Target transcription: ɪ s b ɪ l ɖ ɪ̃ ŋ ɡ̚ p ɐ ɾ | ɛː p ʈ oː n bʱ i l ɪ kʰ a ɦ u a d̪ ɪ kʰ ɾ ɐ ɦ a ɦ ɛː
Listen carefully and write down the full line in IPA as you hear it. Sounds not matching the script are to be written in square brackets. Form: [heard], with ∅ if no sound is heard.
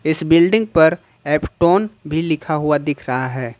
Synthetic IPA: ɪ s b ɪ l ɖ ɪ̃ ŋ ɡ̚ p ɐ ɾ | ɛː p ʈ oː n bʱ i l ɪ kʰ a ɦ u a d̪ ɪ kʰ ɾ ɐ ɦ a ɦ ɛː